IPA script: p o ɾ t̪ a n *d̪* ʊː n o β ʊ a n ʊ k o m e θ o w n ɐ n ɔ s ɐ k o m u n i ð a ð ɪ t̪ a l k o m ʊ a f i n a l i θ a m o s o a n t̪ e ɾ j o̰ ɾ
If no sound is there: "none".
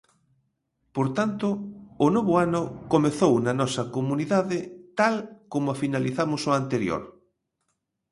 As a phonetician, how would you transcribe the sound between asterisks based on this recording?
t̪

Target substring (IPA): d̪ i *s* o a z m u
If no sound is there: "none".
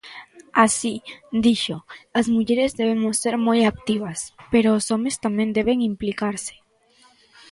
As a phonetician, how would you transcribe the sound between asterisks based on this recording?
ʃ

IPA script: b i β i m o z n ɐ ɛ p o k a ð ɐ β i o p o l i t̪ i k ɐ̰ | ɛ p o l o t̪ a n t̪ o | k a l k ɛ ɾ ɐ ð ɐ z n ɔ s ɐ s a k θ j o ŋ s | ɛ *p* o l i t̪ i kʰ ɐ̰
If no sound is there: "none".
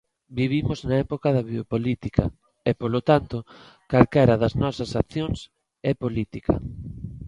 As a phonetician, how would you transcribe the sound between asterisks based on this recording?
p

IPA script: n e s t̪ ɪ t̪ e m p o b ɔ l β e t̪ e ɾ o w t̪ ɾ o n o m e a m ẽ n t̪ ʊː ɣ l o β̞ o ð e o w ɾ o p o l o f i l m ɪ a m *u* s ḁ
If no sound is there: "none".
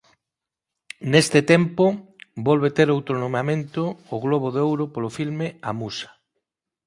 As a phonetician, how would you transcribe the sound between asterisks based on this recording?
u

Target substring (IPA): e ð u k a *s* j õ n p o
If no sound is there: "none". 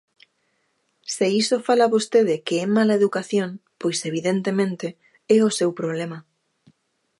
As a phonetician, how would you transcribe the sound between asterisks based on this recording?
θ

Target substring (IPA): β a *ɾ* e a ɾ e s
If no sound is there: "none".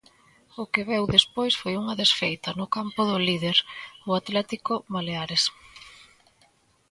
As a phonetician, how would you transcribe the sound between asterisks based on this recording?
l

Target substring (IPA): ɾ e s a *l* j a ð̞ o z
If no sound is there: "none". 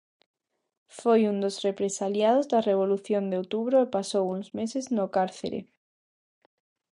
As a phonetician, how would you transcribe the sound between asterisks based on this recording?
l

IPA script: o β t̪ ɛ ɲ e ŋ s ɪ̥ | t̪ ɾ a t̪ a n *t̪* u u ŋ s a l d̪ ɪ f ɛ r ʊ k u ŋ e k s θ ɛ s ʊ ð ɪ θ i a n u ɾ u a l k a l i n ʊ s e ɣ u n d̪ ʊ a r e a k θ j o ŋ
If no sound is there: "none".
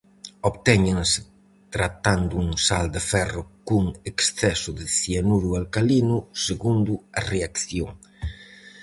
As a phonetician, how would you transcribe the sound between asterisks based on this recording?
d̪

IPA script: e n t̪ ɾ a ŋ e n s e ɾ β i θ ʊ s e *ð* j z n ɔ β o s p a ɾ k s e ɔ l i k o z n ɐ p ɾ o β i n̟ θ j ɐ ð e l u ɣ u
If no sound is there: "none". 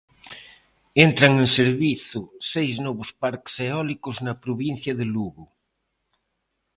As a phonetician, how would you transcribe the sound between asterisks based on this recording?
none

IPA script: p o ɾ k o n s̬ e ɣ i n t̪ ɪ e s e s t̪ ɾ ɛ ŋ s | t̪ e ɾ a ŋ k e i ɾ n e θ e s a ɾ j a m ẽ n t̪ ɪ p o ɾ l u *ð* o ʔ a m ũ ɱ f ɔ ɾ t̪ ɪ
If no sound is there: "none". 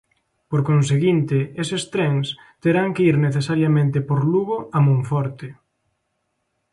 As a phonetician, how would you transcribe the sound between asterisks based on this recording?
ɣ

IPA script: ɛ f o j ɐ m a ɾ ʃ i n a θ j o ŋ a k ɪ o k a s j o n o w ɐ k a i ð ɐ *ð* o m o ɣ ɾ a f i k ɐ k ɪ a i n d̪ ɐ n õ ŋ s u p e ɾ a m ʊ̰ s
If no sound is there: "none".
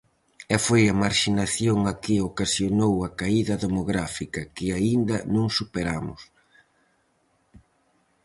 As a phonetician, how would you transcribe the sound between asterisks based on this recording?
ð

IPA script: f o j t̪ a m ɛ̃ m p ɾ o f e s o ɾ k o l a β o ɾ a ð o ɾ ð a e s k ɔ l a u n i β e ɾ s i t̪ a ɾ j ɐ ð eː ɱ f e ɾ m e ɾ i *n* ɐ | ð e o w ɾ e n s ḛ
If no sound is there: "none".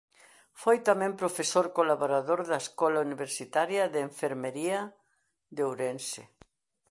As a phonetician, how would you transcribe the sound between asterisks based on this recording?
none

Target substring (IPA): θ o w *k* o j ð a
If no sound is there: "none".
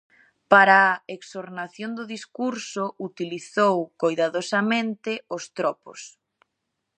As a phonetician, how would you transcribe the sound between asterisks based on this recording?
k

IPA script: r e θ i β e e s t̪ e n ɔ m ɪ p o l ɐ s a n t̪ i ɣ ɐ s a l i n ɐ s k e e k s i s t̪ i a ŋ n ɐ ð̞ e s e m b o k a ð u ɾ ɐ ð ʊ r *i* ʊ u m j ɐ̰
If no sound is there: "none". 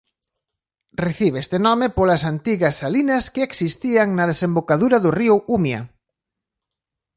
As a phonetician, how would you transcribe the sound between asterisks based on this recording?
i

